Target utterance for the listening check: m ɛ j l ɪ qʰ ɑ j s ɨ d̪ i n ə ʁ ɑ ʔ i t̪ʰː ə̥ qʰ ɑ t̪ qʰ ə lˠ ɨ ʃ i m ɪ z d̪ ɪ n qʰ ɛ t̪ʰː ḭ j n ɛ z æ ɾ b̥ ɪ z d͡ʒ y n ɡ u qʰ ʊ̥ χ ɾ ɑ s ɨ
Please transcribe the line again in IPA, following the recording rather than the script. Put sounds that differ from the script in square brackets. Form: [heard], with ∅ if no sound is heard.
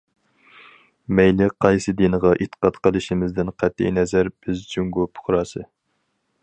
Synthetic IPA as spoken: m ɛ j l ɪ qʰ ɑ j s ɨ d̪ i n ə ʁ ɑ ʔ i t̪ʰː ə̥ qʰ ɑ t̪ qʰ ə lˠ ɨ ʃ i m ɪ z d̪ ɪ n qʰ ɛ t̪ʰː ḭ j n ɛ z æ ɾ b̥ ɪ z d͡ʒ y [ŋ] ɡ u [pʰ] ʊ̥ χ ɾ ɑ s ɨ